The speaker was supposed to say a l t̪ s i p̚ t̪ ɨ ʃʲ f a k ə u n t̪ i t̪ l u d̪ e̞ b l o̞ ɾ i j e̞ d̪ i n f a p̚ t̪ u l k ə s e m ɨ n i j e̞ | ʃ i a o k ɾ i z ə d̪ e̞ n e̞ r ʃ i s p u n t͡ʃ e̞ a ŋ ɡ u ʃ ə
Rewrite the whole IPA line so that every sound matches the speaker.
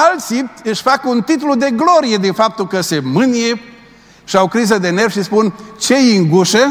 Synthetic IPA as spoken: a l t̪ s i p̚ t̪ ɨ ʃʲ f a k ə u n t̪ i t̪ l u d̪ e̞ ɡ l o̞ ɾ i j e̞ d̪ i n f a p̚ t̪ u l k ə s e m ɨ n i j e̞ | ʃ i a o k ɾ i z ə d̪ e̞ n e̞ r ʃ i s p u n t͡ʃ e̞ i ŋ ɡ u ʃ ə